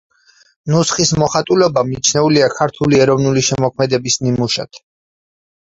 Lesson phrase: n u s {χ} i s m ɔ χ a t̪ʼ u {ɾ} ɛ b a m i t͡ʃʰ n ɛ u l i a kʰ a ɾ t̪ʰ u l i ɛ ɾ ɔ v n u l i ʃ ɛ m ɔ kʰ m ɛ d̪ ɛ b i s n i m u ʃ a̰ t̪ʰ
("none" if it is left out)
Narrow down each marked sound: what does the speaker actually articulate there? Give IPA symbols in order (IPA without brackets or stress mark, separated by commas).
χ, l